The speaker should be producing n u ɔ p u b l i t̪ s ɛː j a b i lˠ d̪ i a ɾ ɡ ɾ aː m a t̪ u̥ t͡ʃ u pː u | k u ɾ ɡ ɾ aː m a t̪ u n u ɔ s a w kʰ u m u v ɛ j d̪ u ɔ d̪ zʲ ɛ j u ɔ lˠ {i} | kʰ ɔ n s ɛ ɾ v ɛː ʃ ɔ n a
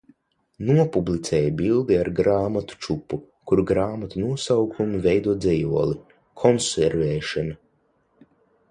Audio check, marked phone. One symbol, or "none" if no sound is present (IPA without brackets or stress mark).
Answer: i